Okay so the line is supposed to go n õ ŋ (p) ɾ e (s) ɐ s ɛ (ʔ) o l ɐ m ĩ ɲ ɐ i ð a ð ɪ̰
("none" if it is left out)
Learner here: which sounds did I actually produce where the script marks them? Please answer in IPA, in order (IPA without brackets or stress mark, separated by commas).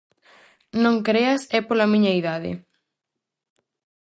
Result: k, none, p